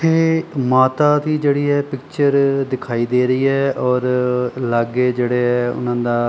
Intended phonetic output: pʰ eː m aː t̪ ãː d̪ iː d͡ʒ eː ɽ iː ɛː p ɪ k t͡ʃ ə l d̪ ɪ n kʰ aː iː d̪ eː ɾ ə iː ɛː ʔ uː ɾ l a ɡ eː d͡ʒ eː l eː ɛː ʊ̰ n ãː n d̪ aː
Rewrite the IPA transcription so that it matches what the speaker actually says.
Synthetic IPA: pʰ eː m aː t̪ aː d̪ iː d͡ʒ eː ɽ iː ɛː p ɪ k t͡ʃ ə ɾ d̪ ɪ kʰ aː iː d̪ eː ɾ ə iː ɛː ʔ ɔː ɾ l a ɡ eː d͡ʒ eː ɽ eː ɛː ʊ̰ n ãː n d̪ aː